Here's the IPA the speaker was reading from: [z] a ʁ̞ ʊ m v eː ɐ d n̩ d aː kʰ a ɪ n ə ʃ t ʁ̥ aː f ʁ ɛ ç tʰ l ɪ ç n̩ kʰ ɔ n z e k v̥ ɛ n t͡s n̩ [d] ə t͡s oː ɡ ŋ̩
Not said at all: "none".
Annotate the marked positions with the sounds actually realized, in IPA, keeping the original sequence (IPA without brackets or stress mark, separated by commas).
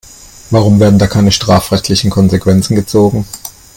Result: v, ɡ